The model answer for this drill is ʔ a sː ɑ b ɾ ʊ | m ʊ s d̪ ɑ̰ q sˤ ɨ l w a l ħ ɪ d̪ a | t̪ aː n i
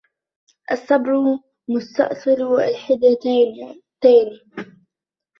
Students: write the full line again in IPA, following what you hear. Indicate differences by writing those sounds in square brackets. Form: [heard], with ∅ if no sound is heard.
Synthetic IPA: ʔ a sː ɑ b ɾ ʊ | m ʊ s [t̪] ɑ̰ [ʔ] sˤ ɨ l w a l ħ ɪ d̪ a | t̪ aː n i